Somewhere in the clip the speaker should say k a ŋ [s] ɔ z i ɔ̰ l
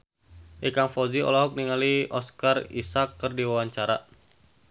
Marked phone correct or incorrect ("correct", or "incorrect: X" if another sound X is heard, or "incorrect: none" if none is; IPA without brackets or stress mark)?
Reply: incorrect: f